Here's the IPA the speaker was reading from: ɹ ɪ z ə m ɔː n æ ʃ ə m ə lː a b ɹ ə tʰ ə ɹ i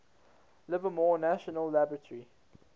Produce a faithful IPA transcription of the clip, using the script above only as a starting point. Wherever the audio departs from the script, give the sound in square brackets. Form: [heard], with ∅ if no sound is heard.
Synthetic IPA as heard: [l] ɪ [v] ə m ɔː n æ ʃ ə [n] ə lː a b ɹ ə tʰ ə ɹ i

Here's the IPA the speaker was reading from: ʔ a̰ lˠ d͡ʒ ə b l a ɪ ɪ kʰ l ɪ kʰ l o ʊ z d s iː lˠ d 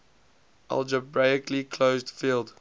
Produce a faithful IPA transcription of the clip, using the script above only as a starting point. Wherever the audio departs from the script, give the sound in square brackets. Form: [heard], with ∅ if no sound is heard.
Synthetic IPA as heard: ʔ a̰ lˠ d͡ʒ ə b [ɹ] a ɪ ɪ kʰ l [i] kʰ l o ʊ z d [f] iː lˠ d

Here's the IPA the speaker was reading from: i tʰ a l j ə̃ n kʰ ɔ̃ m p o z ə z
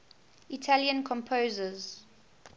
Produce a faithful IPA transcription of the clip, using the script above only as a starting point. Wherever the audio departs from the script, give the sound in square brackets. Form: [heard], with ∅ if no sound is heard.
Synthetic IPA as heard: i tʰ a l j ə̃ n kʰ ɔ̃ m [pʰ] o z ə z

